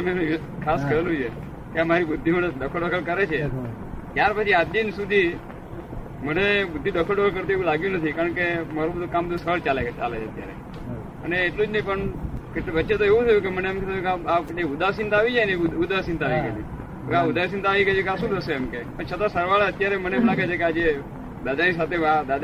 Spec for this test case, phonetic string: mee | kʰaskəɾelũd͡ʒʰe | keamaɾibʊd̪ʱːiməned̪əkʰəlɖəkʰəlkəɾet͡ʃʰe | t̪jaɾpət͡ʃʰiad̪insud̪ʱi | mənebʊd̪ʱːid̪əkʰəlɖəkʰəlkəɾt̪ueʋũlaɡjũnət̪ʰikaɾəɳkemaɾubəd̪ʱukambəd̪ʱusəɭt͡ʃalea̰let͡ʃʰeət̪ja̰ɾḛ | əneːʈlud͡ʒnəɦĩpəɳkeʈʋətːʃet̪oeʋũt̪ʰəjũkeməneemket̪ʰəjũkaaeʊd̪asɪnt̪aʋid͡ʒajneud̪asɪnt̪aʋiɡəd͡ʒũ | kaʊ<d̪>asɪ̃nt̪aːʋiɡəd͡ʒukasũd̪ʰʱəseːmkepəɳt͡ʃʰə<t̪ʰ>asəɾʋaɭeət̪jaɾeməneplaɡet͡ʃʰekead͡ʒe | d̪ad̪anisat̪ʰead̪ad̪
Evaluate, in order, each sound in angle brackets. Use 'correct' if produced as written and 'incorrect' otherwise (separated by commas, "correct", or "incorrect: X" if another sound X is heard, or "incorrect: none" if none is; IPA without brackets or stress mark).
correct, incorrect: t̪